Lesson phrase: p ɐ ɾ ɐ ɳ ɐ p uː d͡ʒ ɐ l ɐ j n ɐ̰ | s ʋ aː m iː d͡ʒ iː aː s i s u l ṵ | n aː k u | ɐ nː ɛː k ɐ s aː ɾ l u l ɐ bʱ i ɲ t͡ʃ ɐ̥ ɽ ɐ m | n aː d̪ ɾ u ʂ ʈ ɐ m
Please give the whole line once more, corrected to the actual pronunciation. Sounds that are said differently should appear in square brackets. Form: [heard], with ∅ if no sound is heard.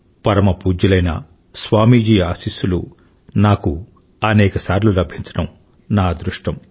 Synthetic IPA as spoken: p ɐ ɾ ɐ [m] ɐ p uː d͡ʒ ɐ l ɐ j n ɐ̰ | s ʋ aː m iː d͡ʒ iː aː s i s u l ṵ | n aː k u | ɐ [n] ɛː k ɐ s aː ɾ l u l ɐ bʱ i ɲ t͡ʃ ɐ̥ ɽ ɐ m | n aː d̪ ɾ u ʂ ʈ ɐ m

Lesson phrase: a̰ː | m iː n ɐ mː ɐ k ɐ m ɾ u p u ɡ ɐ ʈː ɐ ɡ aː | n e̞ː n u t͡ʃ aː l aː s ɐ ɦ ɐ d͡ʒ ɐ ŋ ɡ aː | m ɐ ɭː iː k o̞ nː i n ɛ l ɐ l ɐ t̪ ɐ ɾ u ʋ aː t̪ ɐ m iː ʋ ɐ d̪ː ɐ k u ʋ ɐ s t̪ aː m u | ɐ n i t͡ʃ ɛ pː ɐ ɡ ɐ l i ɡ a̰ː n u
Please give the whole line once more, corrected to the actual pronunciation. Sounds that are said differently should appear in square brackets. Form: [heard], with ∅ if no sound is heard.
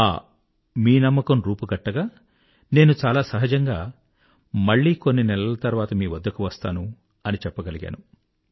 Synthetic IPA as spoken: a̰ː | m iː n ɐ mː ɐ k ɐ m ɾ [uː] p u ɡ ɐ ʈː ɐ ɡ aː | n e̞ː n u t͡ʃ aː l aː s ɐ ɦ ɐ d͡ʒ ɐ ŋ ɡ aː | m ɐ ɭː iː k o̞ nː i n ɛ l ɐ l ɐ t̪ ɐ ɾ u ʋ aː t̪ ɐ m iː ʋ ɐ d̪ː ɐ k u ʋ ɐ s t̪ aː [n] u | ɐ n i t͡ʃ ɛ pː ɐ ɡ ɐ l i ɡ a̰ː n u

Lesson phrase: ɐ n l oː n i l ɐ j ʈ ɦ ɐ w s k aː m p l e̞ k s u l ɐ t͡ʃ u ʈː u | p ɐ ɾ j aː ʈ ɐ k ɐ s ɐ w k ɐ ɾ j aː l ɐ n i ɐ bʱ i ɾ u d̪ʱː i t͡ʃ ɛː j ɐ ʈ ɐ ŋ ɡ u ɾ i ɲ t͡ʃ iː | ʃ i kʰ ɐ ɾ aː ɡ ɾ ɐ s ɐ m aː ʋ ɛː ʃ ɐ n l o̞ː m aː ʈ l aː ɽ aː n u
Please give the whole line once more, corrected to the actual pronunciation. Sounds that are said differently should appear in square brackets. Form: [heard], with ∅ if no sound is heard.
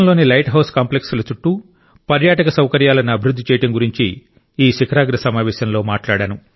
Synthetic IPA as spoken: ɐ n l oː n i l ɐ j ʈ ɦ ɐ w s k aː m p l e̞ k s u l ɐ t͡ʃ u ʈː u | p ɐ ɾ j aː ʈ ɐ k ɐ s ɐ w k ɐ ɾ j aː l ɐ n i ɐ bʱ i ɾ u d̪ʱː i t͡ʃ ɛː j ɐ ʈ ɐ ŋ ɡ u ɾ i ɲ t͡ʃ iː | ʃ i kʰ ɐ ɾ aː ɡ ɾ ɐ s ɐ m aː ʋ ɛː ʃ ɐ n l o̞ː m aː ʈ l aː ɽ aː n u

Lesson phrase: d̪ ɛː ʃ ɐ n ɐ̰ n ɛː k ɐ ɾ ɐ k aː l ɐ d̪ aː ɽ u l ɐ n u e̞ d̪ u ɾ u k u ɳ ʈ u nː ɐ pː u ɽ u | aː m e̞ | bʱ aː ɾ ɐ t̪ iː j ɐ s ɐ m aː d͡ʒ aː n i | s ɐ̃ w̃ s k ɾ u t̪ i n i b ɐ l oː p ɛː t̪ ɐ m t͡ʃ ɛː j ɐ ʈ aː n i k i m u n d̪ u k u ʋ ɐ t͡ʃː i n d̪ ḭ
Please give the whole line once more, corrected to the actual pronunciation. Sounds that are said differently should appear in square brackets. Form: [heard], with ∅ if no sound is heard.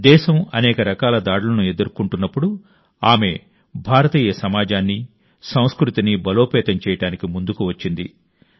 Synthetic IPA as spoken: d̪ ɛː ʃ ɐ [m] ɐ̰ n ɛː k ɐ ɾ ɐ k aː l ɐ d̪ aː ɽ u l ɐ n u e̞ d̪ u ɾ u k u ɳ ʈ u nː ɐ pː u ɽ u | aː m e̞ | bʱ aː ɾ ɐ t̪ iː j ɐ s ɐ m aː d͡ʒ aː [nː] i | s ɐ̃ w̃ s k ɾ u t̪ i n i b ɐ l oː p ɛː t̪ ɐ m t͡ʃ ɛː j ɐ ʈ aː n i k i m u n d̪ u k u ʋ ɐ t͡ʃː i n d̪ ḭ

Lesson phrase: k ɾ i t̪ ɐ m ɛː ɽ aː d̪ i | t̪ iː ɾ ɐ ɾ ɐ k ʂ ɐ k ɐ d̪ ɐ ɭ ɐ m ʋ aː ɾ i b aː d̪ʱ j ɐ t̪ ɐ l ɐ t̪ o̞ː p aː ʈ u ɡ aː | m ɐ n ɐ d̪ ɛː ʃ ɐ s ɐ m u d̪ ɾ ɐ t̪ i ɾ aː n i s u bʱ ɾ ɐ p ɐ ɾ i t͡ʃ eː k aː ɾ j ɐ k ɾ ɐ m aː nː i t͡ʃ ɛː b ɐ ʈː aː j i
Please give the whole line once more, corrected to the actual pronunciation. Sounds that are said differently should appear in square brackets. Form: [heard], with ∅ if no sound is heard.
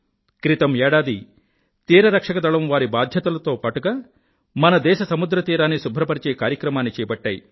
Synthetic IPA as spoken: k ɾ i t̪ ɐ m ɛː ɽ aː d̪ i | t̪ iː ɾ ɐ ɾ ɐ k ʂ ɐ k ɐ d̪ ɐ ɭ ɐ m ʋ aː ɾ i b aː d̪ʱ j ɐ t̪ ɐ l ɐ t̪ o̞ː p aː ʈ u ɡ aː | m ɐ n ɐ d̪ ɛː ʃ ɐ s ɐ m u d̪ ɾ ɐ t̪ [iː] ɾ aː n i s u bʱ ɾ ɐ p ɐ ɾ i t͡ʃ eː k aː ɾ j ɐ k ɾ ɐ m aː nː i t͡ʃ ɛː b ɐ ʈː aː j i

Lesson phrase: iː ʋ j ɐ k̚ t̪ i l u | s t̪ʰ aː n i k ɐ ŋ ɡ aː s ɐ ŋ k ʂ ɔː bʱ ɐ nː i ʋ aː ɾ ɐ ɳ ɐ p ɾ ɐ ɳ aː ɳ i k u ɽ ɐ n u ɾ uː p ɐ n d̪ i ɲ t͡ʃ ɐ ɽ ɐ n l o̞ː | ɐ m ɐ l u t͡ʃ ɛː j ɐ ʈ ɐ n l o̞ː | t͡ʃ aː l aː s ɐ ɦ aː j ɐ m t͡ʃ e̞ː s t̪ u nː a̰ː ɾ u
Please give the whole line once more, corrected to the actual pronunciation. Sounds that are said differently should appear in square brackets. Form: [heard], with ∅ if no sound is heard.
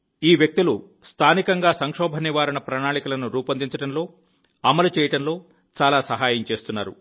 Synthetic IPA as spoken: iː ʋ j ɐ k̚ t̪ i l u | s t̪ʰ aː n i k ɐ ŋ ɡ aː s ɐ ŋ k ʂ ɔː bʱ ɐ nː i ʋ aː ɾ ɐ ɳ ɐ p ɾ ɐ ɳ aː ɳ i k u [l] ɐ n u ɾ uː p ɐ n d̪ i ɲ t͡ʃ ɐ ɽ ɐ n l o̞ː | ɐ m ɐ l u t͡ʃ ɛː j ɐ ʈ ɐ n l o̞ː | t͡ʃ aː l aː s ɐ ɦ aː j ɐ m t͡ʃ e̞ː s t̪ u nː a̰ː ɾ u

